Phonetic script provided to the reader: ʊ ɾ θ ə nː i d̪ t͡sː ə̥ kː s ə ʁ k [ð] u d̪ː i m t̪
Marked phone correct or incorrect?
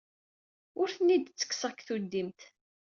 incorrect